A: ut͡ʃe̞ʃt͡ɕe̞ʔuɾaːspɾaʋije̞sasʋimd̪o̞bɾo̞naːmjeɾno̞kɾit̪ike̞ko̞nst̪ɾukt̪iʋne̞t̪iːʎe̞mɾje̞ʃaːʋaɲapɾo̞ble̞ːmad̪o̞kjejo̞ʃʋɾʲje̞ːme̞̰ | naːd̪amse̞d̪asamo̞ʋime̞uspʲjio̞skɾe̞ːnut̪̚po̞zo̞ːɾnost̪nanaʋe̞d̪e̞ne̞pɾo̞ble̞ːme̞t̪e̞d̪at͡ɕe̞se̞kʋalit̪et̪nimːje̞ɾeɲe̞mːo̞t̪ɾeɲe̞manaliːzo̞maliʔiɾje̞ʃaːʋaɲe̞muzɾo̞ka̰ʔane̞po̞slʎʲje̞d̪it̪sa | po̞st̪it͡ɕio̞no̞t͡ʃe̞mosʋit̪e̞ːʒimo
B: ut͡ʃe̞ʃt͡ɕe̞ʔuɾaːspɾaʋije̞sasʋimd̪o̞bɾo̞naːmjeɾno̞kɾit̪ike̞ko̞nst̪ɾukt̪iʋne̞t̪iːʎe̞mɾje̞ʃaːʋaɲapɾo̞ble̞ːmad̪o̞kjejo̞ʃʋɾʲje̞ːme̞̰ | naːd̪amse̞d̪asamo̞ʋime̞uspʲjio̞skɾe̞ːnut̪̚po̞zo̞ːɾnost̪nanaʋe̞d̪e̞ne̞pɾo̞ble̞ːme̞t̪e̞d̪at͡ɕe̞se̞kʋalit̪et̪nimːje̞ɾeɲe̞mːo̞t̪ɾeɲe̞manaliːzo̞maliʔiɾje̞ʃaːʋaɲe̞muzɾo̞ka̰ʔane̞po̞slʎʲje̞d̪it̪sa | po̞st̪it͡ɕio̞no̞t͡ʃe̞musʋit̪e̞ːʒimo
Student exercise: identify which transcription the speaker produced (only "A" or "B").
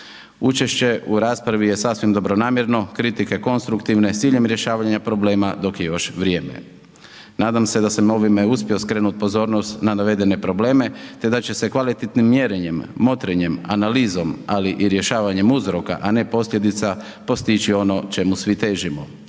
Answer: B